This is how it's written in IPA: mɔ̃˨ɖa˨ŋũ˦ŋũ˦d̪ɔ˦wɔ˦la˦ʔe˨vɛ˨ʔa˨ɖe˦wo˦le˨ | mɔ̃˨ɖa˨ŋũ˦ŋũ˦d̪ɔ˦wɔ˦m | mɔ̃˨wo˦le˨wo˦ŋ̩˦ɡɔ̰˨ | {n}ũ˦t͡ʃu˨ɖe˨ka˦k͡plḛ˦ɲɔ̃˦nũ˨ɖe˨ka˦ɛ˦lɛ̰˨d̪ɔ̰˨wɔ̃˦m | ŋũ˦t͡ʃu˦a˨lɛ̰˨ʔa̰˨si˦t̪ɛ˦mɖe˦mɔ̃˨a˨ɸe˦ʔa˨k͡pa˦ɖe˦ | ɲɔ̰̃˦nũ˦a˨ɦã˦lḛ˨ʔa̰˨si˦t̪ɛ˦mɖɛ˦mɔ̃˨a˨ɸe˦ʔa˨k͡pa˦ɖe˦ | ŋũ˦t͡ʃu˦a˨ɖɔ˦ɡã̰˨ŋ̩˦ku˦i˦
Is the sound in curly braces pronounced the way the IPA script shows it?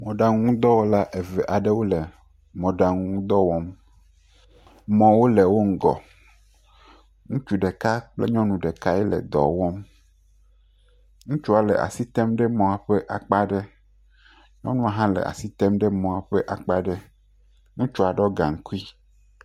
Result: no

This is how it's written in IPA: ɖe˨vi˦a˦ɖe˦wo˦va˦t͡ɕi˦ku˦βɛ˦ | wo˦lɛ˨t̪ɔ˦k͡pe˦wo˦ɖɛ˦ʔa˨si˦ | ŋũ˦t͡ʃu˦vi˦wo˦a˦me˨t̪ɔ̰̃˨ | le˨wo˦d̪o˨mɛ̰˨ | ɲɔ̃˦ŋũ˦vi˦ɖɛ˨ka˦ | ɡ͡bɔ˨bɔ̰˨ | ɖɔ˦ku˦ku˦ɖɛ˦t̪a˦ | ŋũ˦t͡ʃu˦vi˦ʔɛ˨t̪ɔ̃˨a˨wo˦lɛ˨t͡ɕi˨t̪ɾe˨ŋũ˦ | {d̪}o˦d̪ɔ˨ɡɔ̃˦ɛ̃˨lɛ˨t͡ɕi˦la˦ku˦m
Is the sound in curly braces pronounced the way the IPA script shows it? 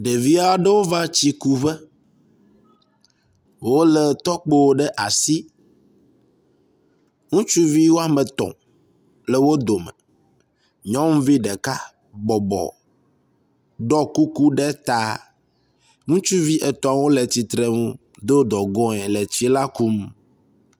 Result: yes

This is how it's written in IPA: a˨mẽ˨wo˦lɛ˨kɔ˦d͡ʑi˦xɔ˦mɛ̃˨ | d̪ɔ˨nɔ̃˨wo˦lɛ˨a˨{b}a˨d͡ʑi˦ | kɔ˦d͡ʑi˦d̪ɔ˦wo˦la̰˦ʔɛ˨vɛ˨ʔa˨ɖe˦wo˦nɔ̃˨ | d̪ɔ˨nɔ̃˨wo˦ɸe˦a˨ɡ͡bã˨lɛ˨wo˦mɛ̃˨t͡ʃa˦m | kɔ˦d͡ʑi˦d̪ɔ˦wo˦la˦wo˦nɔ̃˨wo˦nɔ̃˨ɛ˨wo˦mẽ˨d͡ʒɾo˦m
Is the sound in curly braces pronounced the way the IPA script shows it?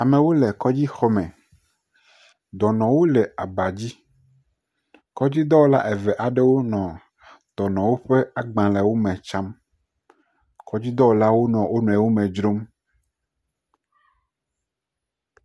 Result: yes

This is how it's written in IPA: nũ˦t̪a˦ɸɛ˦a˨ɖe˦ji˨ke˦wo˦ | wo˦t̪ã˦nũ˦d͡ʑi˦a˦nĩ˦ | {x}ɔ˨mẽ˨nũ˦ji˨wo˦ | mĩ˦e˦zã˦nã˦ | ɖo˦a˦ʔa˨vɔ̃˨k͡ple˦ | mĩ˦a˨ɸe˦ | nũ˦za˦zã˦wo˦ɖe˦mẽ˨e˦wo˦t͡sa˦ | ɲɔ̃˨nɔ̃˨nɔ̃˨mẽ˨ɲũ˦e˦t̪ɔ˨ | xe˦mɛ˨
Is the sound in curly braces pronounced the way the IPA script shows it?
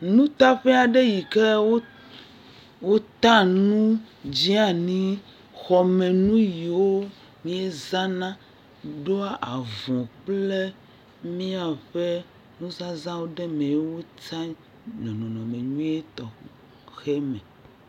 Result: yes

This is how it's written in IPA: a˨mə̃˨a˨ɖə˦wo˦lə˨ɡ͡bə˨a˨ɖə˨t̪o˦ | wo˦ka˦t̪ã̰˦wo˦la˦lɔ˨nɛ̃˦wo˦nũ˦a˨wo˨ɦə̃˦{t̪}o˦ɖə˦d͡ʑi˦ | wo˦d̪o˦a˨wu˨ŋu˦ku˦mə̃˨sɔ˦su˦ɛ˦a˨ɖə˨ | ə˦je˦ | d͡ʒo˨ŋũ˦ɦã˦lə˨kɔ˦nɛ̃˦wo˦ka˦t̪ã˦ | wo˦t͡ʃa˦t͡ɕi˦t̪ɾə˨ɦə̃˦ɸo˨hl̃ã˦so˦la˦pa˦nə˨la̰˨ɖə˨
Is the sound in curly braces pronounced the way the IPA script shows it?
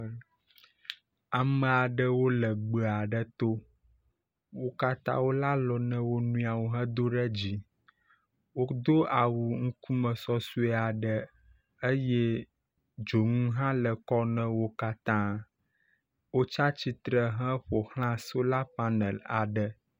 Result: no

